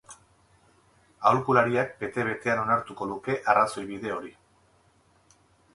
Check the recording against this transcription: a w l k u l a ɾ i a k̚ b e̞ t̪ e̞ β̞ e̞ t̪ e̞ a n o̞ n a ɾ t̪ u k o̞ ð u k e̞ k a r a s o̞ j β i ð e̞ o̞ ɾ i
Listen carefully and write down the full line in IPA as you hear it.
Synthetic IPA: a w l k u l a ɾ i a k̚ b e̞ t̪ e̞ β̞ e̞ t̪ e̞ a n o̞ n a ɾ t̪ u k o̞ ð u k e̞ ʔ a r a s o̞ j β i ð e̞ o̞ ɾ i